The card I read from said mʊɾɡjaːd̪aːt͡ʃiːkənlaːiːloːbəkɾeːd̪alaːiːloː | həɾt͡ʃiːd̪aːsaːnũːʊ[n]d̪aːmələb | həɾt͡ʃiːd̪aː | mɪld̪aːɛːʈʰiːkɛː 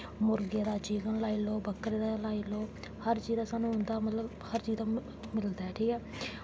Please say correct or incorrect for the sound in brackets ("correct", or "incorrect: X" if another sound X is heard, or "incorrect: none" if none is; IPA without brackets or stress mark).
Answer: correct